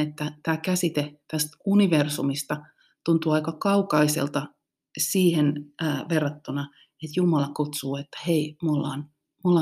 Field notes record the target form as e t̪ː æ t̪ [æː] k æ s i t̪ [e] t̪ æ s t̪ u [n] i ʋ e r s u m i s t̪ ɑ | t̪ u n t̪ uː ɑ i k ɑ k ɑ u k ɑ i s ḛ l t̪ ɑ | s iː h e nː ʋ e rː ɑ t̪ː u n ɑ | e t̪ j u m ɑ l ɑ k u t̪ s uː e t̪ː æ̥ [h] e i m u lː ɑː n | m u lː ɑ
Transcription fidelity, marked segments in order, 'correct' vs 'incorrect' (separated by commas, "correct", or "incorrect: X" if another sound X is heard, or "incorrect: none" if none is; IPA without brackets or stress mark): correct, correct, correct, correct